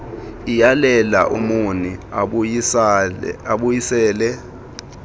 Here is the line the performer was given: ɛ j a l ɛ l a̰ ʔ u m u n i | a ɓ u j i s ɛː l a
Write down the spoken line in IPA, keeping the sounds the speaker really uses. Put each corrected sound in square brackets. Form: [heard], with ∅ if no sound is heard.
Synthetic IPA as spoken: [i] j a l ɛ l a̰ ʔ u m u n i | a ɓ u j i s ɛː l [ɛ]